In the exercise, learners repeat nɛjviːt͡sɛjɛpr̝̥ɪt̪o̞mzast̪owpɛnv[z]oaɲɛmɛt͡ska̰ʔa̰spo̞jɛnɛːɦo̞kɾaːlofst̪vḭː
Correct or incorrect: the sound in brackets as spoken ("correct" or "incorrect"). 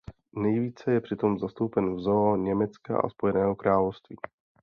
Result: correct